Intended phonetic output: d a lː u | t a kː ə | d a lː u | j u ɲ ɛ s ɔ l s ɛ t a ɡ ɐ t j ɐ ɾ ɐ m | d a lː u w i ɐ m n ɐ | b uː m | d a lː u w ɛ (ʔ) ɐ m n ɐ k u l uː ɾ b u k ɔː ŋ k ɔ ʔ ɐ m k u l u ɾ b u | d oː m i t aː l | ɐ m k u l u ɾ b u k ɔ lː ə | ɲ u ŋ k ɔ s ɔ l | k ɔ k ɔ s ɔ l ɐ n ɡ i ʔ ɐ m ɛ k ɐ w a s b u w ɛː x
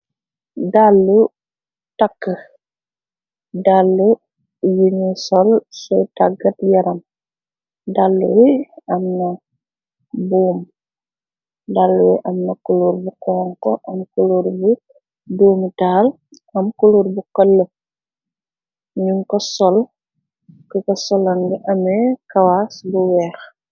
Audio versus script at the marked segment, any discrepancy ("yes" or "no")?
no